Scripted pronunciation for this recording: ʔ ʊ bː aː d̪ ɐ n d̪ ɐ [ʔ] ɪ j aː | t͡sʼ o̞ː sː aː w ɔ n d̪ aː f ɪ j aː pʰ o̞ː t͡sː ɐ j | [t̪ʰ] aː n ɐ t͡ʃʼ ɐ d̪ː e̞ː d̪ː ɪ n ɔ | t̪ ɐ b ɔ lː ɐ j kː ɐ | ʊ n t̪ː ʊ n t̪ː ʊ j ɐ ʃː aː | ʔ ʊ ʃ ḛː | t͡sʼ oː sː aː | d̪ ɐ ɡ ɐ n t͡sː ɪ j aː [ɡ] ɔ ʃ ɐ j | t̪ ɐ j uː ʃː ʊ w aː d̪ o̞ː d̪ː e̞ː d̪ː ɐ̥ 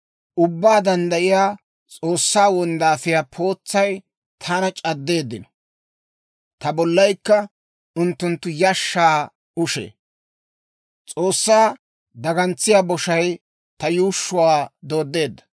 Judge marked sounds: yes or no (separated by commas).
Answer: yes, yes, no